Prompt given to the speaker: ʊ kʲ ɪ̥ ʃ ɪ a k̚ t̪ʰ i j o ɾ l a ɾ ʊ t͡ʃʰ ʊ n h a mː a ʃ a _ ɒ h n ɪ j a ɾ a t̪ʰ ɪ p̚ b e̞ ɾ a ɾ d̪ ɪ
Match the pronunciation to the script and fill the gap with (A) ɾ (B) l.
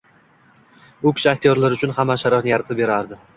A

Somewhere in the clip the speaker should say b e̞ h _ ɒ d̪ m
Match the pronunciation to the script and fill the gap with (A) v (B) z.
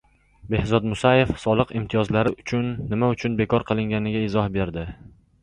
B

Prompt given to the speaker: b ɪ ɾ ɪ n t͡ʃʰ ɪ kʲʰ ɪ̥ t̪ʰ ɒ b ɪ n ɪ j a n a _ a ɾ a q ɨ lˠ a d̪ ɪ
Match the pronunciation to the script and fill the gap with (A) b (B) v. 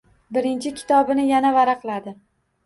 B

